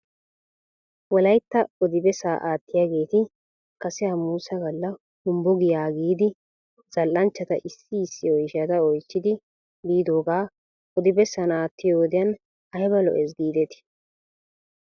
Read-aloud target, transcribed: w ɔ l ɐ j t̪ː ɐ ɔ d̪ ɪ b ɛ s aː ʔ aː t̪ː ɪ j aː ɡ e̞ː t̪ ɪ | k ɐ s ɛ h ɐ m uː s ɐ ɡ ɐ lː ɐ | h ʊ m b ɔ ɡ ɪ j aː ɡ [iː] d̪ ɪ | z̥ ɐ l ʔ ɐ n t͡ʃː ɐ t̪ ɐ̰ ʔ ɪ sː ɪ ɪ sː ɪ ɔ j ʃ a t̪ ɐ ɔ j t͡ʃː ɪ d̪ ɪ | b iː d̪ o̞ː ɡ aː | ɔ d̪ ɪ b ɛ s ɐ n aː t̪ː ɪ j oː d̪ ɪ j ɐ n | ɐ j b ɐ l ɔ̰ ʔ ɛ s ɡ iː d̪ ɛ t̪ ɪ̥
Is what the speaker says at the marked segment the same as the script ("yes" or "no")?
yes